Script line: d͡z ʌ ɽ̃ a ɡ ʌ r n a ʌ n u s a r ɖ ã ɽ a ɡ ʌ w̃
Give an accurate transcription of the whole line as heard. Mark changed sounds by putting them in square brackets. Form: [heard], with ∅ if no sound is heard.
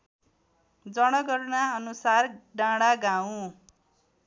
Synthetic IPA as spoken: d͡z ʌ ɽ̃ [ʌ] ɡ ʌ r n a ʌ n u s a r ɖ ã ɽ a ɡ [a] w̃